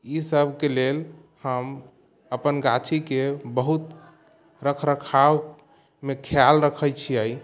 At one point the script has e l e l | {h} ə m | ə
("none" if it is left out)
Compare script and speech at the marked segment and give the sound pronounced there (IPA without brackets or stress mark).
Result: h